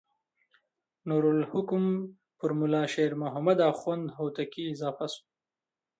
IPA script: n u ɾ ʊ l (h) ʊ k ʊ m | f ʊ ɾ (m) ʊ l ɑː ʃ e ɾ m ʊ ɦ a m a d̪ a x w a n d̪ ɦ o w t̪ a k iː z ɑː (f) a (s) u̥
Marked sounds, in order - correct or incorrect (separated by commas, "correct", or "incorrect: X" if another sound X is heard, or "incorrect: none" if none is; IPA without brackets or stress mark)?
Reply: correct, correct, correct, correct